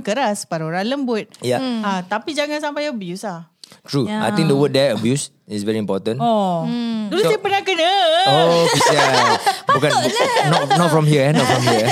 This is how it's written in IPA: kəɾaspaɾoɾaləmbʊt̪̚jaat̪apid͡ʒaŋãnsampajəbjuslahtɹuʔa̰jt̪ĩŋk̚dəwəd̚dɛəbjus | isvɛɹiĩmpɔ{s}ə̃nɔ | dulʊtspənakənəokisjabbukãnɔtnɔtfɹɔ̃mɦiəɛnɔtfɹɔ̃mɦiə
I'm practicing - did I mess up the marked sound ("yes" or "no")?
yes